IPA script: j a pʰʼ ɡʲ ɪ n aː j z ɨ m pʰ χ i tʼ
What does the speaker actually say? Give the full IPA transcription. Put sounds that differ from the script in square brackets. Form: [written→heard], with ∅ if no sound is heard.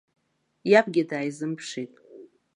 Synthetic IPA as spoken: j a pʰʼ ɡʲ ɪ [n→d] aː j z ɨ m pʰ [χ→ʂ] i tʼ